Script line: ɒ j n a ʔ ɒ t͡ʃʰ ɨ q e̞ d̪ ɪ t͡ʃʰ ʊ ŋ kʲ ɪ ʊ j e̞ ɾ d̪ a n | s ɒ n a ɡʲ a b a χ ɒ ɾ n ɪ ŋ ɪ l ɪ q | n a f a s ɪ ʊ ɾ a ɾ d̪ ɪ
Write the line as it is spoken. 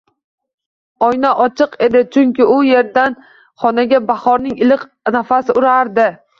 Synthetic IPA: ɒ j n a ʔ ɒ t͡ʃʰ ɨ q e̞ d̪ ɪ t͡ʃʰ ʊ ŋ kʲ ɪ ʊ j e̞ ɾ d̪ a n | χ ɒ n a ɡʲ a b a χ ɒ ɾ n ɪ ŋ ɪ l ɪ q | n a f a s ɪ ʊ ɾ a ɾ d̪ ɪ

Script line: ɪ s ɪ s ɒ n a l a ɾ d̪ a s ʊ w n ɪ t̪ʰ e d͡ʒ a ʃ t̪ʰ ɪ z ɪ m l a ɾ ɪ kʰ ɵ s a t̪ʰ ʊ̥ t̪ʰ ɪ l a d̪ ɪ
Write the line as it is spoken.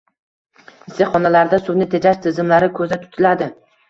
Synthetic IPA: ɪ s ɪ χ ɒ n a l a ɾ d̪ a s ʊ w n ɪ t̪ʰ e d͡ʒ a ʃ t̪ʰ ɪ z ɪ m l a ɾ ɪ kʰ ɵ z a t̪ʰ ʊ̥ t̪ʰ ɪ l a d̪ ɪ

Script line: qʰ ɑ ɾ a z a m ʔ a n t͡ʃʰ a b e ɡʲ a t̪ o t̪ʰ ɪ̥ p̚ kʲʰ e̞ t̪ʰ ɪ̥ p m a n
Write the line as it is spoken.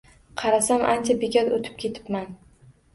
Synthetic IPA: qʰ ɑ ɾ a s a m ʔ a n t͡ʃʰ a b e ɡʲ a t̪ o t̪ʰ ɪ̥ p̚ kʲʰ e̞ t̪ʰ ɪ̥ p m a n

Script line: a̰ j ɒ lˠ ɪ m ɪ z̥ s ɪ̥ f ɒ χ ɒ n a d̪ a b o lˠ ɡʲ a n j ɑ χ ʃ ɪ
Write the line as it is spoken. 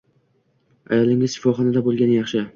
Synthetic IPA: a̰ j ɒ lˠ ɪ ŋ ɪ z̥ ʃ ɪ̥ f ɒ χ ɒ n a d̪ a b o lˠ ɡʲ a n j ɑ χ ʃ ɪ

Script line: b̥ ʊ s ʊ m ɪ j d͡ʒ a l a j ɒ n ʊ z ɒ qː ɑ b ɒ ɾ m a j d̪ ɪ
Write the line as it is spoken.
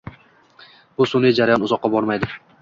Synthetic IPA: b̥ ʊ s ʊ n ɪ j d͡ʒ a ɾ a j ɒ n ʊ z ɒ qː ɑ b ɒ ɾ m a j d̪ ɪ

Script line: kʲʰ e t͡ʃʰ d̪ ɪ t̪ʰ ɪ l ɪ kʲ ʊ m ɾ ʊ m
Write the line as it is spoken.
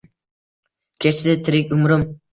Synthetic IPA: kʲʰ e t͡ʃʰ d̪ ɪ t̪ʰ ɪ ɾ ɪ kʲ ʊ m ɾ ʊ m

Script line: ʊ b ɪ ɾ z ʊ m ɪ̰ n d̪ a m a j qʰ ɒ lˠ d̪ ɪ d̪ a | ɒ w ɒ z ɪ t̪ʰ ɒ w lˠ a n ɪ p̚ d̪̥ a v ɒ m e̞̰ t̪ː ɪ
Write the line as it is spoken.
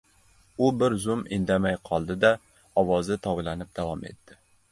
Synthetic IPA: ʊ b ɪ ɾ z ʊ m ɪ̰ n d̪ a m a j qʰ ɒ lˠ d̪ ɪ d̪ a | ɒ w ɒ z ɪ t̪ʰ ɒ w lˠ a n ɪ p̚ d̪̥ a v ɒ m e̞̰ t̪ː ɪ

